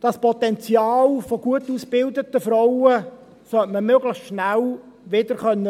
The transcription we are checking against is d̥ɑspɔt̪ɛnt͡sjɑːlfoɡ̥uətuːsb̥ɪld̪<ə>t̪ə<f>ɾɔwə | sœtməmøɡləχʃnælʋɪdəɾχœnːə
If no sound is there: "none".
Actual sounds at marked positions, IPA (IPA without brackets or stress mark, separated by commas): ə, f